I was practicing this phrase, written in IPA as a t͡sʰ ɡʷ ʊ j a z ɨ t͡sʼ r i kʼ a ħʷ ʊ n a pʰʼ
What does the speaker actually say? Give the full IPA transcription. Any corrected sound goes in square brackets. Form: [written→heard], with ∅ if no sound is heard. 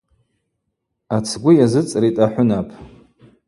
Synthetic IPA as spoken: a t͡sʰ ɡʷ ʊ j a z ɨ t͡sʼ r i [kʼ→tʼ] a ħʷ ʊ n a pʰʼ